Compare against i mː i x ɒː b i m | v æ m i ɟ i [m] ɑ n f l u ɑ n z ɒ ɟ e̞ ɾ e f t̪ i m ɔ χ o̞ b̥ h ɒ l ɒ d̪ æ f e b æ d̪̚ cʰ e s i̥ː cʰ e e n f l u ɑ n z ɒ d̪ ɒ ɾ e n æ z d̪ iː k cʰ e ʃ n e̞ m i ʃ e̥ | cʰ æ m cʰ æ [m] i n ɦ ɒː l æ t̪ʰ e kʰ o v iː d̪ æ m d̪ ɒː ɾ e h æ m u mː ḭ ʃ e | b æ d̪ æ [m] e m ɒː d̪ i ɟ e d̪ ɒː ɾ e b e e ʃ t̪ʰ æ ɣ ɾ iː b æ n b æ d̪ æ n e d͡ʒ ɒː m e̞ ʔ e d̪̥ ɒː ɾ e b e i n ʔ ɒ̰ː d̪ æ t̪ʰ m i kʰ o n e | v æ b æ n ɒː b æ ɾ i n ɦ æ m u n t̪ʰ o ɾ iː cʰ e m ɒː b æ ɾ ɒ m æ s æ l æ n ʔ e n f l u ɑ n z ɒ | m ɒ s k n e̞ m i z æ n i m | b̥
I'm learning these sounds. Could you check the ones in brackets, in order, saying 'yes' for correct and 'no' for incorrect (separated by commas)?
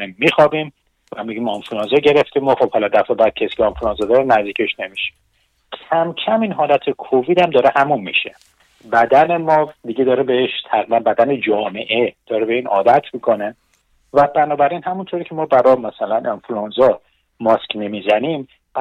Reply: yes, yes, no